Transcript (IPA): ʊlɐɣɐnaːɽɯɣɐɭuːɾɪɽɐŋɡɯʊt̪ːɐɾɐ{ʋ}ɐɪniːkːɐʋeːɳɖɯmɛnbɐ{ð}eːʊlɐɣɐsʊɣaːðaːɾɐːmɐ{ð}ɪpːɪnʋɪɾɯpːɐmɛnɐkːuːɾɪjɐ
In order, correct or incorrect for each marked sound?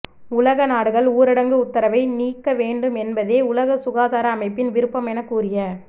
correct, correct, incorrect: none

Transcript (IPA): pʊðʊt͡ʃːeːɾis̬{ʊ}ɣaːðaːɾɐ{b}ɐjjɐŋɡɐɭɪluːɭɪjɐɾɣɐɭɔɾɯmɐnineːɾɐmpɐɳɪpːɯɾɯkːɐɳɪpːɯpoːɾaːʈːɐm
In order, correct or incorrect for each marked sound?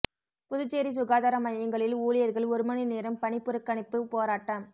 correct, incorrect: m

